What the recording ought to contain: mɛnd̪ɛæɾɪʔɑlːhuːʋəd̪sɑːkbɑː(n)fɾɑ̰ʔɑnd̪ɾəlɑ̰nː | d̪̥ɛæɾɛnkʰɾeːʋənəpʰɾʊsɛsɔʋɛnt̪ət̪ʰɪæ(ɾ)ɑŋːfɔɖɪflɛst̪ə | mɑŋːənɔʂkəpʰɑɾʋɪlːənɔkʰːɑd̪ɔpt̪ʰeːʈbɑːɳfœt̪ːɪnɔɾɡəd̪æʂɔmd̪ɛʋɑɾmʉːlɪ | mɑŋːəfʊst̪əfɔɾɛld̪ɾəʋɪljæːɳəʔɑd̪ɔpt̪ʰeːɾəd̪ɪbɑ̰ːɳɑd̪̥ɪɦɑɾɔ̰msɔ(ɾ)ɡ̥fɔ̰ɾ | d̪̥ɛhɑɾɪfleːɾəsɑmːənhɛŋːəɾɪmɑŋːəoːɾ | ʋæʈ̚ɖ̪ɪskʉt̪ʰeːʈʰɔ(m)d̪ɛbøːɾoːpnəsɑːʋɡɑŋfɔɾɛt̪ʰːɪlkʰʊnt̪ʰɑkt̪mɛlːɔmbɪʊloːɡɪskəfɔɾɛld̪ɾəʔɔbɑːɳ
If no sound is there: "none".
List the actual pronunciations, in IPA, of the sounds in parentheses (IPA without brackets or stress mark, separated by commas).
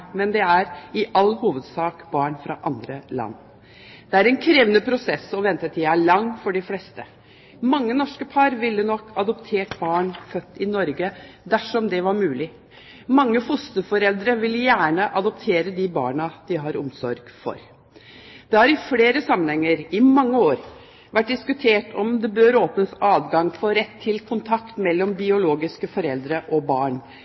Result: ɳ, ɭ, ɾ, m